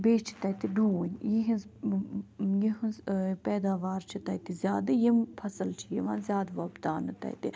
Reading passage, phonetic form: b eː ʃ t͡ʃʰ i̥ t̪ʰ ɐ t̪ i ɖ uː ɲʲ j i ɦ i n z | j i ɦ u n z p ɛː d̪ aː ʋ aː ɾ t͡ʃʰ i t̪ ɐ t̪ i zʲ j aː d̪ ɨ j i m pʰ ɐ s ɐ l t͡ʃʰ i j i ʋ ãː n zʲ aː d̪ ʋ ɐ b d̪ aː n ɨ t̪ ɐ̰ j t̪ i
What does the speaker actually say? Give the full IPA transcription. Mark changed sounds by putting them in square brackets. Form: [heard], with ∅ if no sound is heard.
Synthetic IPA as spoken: b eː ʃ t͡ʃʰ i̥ [t̪] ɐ t̪ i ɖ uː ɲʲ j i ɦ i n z | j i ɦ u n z p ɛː d̪ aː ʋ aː ɾ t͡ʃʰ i t̪ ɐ t̪ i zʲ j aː d̪ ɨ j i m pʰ ɐ s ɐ l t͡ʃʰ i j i ʋ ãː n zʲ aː d̪ ʋ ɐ b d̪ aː n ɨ t̪ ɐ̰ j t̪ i